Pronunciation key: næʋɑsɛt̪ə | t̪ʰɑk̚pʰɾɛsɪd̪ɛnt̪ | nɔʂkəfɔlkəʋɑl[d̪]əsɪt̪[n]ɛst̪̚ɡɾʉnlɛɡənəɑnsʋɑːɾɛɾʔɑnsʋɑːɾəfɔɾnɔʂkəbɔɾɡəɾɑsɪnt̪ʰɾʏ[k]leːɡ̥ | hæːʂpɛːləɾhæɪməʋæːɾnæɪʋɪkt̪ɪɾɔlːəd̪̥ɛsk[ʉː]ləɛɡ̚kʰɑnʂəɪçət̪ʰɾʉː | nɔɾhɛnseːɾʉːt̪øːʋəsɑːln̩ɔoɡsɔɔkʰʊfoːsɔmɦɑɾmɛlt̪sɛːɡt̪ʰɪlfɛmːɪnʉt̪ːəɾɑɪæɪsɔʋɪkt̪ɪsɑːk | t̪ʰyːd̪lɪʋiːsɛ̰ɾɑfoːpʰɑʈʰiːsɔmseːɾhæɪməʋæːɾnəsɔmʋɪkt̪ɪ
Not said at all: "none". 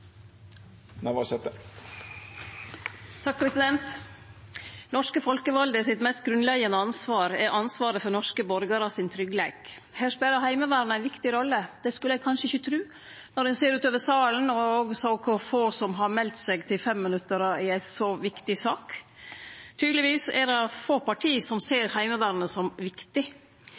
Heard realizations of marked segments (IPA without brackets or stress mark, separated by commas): d̪, m, ɡ, ʉ